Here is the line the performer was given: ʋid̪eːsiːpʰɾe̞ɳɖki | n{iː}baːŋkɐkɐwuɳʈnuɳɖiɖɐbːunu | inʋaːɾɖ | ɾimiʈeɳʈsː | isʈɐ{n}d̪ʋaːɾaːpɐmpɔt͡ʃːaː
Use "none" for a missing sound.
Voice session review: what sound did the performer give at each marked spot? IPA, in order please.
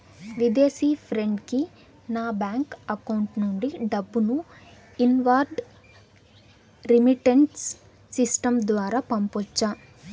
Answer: aː, m

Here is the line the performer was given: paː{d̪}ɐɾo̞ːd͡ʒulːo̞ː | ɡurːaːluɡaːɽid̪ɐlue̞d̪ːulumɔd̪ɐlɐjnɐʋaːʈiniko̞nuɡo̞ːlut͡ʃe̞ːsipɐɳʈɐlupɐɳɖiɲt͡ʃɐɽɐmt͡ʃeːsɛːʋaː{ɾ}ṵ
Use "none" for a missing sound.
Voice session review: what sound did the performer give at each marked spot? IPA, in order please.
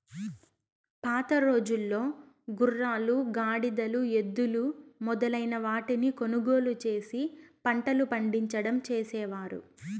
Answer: t̪, ɾ

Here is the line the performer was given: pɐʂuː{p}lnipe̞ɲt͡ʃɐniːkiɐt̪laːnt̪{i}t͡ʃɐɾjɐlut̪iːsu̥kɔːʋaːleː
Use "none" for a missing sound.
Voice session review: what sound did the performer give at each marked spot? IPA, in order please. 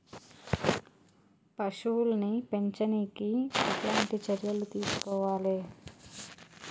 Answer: none, i

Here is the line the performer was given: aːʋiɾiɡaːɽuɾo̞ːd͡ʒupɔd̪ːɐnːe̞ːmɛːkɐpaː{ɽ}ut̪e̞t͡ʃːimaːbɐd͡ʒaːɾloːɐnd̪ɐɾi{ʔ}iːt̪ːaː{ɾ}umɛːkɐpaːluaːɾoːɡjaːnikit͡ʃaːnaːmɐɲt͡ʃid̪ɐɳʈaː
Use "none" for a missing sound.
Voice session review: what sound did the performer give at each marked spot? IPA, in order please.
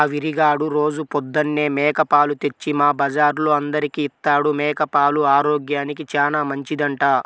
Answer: l, k, ɽ

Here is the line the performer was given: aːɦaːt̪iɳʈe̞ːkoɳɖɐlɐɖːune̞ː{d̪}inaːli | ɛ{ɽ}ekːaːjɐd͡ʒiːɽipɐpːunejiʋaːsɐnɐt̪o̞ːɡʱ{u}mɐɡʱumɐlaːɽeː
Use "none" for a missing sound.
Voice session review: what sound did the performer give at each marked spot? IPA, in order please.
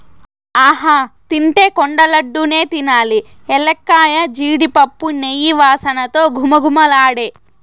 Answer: t̪, l, u

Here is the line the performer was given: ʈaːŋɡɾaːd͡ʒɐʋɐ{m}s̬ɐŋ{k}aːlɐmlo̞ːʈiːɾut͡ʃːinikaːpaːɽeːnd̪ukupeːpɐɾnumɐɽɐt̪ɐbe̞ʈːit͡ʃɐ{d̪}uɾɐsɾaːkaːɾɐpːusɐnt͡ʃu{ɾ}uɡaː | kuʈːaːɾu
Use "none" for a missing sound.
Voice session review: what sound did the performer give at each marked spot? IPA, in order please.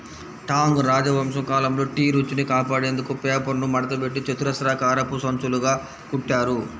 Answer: m, k, t̪, l

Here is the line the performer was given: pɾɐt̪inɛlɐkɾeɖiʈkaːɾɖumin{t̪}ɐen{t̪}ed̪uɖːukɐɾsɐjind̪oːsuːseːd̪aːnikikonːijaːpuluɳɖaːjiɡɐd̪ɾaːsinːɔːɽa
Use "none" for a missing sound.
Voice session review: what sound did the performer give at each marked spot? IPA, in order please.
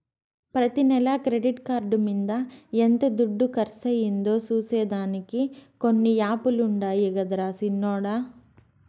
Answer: d̪, t̪

